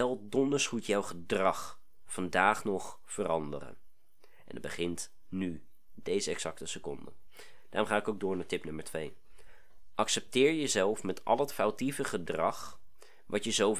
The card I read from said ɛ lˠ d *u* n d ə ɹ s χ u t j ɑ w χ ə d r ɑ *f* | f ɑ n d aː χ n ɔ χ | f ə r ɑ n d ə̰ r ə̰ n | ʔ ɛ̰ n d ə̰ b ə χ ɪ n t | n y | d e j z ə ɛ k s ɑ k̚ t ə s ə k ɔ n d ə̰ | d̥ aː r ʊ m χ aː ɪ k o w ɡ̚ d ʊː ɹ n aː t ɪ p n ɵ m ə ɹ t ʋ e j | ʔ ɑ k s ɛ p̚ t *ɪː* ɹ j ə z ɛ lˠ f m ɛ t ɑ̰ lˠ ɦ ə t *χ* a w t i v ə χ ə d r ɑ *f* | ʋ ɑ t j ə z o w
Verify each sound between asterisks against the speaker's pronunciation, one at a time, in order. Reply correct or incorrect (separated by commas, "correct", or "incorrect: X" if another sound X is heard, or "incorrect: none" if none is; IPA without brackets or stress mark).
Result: incorrect: ɔ, incorrect: χ, correct, incorrect: f, incorrect: χ